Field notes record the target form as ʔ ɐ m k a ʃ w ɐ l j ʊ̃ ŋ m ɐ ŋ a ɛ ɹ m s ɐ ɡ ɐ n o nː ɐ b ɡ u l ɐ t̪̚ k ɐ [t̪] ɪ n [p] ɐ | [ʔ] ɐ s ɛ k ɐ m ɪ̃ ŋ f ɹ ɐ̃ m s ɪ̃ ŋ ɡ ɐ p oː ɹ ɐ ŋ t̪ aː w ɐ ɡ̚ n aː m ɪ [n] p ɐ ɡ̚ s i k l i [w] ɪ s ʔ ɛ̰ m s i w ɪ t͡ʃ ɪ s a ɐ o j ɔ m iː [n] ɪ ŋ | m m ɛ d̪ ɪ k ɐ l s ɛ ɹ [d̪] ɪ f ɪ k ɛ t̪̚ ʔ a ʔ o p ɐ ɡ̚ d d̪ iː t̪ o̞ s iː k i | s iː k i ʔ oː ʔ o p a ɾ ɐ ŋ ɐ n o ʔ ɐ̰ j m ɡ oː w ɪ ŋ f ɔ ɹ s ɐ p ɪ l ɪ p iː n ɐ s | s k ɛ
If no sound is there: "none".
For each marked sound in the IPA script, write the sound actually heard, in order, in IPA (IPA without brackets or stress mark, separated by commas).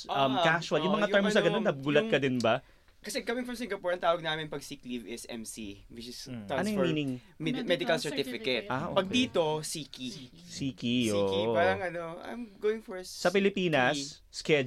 d̪, b, k, n, v, n, t̪